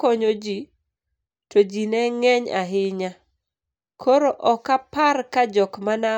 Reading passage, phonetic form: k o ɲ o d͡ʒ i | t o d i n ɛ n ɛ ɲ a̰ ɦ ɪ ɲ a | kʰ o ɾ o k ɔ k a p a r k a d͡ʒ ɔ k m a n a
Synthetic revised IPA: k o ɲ o d͡ʒ i | t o d͡ʒ i n ɛ ŋ ɛ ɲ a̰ ɦ ɪ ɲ a | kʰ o ɾ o ʔ ɔ k a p a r k a d͡ʒ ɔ k m a n a